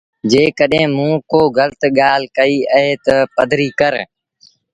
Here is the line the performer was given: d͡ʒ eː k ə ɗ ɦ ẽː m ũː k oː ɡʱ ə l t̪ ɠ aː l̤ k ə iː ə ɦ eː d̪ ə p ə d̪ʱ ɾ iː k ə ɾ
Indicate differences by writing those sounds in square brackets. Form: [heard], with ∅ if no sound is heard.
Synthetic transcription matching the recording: d͡ʒ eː k ə ɗ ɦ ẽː m ũː k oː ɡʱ ə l t̪ ɠ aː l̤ k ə iː ə ɦ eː [t̪] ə p ə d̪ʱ ɾ iː k ə ɾ